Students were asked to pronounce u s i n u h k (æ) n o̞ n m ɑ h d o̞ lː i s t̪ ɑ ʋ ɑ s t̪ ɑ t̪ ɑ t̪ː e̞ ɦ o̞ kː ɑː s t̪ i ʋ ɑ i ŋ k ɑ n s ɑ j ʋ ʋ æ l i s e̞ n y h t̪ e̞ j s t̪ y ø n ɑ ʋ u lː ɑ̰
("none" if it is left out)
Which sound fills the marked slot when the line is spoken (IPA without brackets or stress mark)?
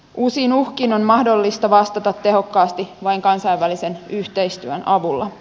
i